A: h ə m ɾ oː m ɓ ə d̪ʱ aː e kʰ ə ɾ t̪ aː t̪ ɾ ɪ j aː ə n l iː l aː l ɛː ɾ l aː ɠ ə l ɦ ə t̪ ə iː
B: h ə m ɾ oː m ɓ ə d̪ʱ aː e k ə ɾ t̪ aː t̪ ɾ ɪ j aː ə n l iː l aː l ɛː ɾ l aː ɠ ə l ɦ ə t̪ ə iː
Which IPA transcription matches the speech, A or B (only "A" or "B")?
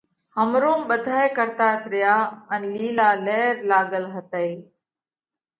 B